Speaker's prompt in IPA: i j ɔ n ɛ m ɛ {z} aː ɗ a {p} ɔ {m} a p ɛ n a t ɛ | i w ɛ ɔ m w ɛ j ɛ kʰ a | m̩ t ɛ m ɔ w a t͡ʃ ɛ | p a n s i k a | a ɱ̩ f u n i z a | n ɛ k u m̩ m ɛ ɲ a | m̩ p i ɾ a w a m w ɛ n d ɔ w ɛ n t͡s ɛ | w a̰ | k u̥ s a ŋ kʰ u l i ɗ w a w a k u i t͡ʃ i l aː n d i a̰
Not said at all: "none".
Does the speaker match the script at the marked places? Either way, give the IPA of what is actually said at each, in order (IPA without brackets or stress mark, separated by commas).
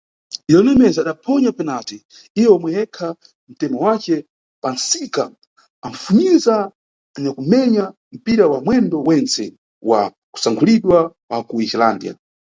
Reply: z, pʰ, ɲ